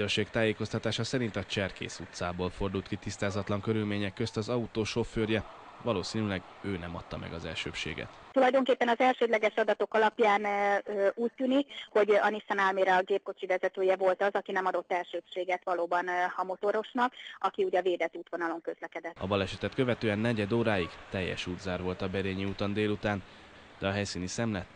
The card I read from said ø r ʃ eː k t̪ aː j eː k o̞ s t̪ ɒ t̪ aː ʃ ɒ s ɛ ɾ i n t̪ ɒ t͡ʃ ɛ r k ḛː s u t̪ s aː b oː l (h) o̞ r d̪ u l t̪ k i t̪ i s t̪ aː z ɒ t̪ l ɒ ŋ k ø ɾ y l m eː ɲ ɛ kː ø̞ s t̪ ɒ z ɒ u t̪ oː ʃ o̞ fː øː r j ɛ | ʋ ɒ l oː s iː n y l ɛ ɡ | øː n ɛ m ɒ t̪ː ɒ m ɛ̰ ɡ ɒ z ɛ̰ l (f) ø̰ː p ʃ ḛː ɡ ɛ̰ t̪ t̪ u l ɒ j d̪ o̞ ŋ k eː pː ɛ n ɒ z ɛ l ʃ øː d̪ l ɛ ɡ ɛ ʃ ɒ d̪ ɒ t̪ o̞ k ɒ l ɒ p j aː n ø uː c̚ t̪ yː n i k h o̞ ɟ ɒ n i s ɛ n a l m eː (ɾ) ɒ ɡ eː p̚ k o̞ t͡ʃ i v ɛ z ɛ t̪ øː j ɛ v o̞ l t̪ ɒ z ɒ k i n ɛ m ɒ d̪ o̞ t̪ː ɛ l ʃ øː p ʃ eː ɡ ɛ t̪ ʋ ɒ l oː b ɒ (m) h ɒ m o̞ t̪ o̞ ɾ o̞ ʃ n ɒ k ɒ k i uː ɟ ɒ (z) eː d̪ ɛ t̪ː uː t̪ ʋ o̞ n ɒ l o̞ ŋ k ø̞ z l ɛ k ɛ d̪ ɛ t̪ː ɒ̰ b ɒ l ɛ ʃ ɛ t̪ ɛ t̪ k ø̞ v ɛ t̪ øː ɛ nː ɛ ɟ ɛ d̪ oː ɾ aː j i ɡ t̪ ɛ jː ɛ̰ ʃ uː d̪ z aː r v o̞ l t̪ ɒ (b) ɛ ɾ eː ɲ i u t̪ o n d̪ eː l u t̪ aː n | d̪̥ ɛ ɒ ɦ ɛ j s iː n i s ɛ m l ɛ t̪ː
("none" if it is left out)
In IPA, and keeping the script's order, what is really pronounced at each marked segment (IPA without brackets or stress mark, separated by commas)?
f, ʃ, ɾ, n, v, b